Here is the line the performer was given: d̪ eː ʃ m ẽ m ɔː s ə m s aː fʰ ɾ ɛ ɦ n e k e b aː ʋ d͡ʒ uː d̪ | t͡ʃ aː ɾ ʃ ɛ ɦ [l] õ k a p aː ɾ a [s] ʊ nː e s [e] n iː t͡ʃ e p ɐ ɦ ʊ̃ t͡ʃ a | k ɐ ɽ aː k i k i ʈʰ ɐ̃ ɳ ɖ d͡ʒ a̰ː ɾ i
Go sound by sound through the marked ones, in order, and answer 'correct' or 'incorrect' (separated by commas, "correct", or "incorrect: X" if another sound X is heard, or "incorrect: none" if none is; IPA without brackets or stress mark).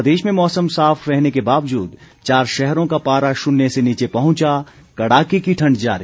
incorrect: ɾ, incorrect: ʃ, correct